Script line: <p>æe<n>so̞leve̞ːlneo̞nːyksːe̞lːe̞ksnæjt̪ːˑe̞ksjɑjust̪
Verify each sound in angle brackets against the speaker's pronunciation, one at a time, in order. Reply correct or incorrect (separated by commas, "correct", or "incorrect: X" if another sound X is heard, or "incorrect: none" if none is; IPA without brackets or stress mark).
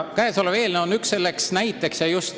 incorrect: k, incorrect: none